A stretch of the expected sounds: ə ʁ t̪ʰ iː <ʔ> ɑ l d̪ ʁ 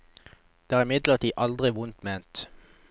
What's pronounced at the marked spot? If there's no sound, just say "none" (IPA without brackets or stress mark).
ʔ